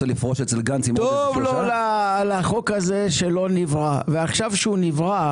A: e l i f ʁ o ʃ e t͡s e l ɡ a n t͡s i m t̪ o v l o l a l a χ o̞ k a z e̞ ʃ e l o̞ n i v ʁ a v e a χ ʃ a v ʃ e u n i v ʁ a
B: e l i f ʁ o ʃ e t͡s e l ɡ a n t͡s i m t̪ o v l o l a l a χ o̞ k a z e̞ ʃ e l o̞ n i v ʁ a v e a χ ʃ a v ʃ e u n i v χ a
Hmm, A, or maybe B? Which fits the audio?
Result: A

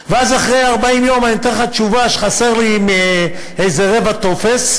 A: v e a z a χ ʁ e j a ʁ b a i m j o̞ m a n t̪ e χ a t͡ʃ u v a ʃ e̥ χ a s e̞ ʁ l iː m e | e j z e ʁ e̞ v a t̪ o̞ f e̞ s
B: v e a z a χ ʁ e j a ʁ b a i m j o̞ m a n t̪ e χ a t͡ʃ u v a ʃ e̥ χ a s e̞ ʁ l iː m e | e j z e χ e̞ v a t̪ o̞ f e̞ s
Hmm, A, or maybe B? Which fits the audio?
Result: A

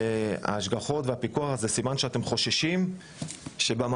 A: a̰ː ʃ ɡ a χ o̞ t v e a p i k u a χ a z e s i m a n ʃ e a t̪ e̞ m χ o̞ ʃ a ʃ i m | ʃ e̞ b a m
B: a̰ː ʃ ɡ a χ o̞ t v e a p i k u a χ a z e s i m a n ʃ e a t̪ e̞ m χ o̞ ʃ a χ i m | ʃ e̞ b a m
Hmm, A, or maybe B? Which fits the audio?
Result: A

